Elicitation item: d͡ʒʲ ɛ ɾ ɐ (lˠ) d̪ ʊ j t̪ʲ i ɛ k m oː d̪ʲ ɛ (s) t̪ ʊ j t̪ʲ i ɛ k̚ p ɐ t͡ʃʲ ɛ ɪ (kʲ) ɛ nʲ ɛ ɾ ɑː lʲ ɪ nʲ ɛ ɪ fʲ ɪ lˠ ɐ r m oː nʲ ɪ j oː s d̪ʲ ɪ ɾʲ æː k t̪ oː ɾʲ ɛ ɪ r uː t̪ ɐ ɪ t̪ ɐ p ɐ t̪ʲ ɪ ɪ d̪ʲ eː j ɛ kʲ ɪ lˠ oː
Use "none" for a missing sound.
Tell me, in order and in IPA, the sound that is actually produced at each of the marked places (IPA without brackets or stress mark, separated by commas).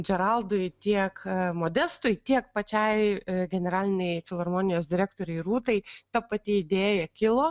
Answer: lˠ, s, ɡʲ